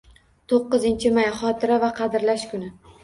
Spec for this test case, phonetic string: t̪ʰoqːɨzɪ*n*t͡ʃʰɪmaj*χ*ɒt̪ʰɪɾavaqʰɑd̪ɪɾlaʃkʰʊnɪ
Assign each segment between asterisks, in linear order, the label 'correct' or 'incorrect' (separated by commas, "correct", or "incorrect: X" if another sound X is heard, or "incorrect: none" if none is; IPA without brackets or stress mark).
correct, correct